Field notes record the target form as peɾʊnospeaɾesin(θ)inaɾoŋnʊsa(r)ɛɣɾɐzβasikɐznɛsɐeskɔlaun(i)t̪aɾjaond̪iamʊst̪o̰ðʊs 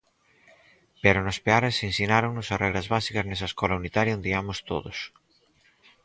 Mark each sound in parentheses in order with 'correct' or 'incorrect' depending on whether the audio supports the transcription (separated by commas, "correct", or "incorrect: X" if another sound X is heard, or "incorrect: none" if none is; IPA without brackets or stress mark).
incorrect: s, correct, correct